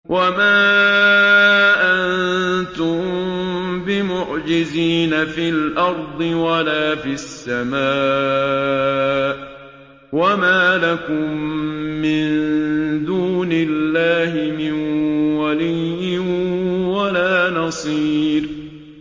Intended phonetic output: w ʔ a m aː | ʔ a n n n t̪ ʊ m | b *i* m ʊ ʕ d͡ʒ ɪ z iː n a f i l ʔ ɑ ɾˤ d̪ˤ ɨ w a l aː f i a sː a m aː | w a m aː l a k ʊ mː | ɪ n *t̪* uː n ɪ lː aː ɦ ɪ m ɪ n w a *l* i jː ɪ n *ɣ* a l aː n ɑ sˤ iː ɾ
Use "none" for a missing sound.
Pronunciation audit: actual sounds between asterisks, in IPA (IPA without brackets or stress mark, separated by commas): ɪ, d̪, l, w